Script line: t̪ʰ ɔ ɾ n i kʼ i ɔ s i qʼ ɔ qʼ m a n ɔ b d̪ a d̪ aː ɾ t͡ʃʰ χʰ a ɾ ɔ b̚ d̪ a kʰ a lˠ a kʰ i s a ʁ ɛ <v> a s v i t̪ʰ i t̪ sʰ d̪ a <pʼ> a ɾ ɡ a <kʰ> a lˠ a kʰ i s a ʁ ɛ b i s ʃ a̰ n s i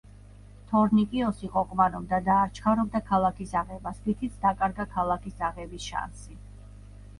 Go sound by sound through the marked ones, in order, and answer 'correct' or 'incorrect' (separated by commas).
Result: incorrect, incorrect, correct